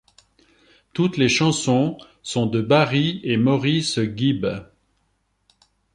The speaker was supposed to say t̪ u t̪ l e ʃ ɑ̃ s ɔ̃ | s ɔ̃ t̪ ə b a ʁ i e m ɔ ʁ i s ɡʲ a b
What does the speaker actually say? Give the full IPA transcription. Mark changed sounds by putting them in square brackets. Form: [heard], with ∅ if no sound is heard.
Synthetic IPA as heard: t̪ u t̪ l e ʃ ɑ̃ s ɔ̃ | s ɔ̃ [d̪] ə b a ʁ i e m ɔ ʁ i s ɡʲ [i] b